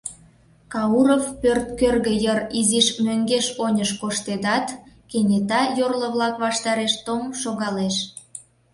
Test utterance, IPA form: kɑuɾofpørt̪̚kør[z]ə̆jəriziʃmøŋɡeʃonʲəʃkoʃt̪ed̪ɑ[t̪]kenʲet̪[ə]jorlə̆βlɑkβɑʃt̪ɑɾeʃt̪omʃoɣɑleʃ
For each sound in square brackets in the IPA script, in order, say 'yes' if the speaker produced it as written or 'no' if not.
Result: no, yes, no

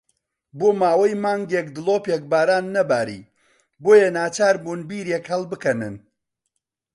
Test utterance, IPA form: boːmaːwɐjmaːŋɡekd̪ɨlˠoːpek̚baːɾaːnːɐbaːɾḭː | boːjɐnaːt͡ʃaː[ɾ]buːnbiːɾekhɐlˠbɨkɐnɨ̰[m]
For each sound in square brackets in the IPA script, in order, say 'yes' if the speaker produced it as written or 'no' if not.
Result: yes, no

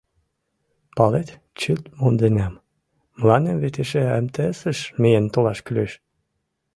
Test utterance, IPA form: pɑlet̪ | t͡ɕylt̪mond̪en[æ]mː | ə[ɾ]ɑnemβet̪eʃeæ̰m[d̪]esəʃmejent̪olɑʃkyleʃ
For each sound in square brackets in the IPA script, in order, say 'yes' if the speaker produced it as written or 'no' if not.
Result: yes, no, no

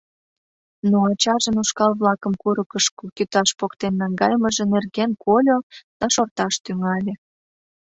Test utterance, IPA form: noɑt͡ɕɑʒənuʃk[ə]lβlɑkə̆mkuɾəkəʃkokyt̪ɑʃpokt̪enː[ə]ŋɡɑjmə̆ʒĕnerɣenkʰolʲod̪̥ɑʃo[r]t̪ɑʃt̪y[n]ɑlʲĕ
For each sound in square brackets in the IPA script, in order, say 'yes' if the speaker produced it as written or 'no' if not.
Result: no, no, yes, no

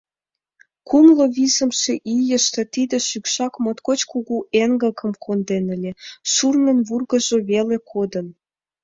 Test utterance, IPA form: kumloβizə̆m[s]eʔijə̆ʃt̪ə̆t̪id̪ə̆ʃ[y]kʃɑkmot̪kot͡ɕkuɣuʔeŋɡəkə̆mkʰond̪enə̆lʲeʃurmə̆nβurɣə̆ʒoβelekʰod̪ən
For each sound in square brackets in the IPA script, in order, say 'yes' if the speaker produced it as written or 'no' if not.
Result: no, yes

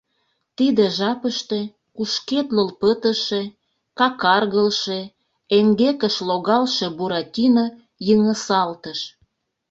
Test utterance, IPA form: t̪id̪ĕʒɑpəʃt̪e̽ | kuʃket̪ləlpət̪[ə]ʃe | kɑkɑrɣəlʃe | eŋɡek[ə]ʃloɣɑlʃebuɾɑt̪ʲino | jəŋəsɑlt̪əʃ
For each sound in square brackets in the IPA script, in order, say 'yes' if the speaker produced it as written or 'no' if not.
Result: yes, yes

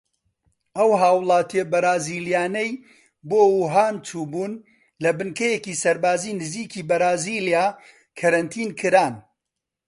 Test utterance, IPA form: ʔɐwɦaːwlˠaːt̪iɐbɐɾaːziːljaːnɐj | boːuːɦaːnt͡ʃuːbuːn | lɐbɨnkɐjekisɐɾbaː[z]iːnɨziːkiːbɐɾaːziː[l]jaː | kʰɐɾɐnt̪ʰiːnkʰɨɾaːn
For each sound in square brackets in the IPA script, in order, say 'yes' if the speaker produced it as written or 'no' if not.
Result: yes, yes

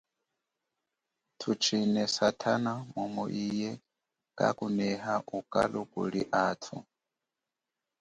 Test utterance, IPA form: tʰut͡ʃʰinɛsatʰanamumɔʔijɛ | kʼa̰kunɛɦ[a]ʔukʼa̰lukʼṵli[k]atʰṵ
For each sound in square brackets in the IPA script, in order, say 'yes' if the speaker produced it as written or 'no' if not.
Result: yes, no

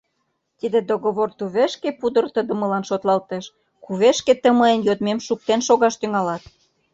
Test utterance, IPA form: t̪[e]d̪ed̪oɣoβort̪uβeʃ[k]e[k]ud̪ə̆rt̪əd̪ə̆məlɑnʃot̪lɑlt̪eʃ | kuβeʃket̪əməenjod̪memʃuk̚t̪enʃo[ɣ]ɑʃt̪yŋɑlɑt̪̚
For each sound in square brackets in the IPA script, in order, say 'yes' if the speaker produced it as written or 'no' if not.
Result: no, yes, no, yes

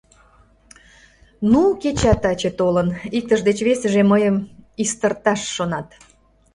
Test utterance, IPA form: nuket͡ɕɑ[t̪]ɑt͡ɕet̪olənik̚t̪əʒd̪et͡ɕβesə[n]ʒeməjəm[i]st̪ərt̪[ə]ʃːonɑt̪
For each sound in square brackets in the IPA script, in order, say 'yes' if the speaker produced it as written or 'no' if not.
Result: yes, no, yes, no

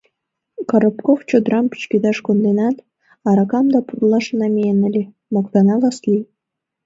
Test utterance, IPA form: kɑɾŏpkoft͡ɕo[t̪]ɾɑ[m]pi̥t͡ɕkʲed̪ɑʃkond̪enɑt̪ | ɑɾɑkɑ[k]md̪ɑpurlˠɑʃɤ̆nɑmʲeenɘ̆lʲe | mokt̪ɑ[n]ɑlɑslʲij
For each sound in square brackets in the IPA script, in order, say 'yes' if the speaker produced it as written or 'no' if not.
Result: no, yes, no, yes

